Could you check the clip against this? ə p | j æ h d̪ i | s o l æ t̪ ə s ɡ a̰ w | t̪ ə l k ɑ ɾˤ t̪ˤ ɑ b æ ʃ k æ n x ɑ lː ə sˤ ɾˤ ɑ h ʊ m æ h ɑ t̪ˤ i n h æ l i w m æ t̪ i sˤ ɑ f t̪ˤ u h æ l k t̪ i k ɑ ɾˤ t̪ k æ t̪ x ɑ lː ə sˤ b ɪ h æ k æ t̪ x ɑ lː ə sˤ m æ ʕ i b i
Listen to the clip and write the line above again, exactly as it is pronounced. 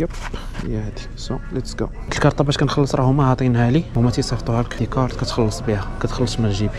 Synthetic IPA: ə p | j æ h d̪ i | s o l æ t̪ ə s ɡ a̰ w | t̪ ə l k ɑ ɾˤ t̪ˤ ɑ b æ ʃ k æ n x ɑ lː ə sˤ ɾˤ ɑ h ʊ m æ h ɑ t̪ˤ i n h æ l i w m æ t̪ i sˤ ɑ f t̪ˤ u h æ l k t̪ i k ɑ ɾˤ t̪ k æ t̪ x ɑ lː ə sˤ b i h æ k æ t̪ x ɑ lː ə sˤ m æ ʒ i b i